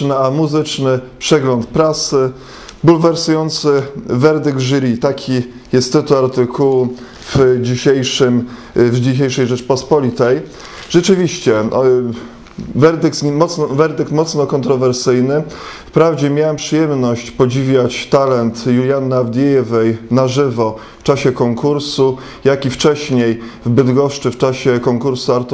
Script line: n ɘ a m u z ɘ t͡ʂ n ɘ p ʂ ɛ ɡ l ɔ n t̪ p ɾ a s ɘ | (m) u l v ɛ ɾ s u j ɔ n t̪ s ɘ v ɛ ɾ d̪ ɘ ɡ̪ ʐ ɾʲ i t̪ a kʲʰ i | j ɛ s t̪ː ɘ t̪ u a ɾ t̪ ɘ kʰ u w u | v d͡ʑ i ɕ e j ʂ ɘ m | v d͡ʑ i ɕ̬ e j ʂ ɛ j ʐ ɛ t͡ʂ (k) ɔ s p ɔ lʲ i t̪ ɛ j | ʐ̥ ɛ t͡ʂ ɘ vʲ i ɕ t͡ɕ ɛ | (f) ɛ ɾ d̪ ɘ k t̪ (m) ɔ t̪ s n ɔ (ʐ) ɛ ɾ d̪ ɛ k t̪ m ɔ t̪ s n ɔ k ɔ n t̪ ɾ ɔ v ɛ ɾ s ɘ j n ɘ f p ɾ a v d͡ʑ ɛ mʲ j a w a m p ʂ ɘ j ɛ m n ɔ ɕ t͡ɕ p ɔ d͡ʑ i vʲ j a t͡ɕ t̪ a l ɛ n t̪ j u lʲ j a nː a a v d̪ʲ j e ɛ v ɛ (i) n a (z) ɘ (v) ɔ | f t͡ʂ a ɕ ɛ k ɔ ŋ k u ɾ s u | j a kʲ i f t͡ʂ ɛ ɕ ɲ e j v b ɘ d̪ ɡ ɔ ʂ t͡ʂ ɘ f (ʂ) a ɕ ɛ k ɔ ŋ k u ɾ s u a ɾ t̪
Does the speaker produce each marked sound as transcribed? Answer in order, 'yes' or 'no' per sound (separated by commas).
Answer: no, no, no, yes, no, no, no, yes, no